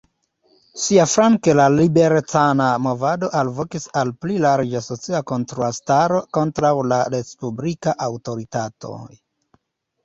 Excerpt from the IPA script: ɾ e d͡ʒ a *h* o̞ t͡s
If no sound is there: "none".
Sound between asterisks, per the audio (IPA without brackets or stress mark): s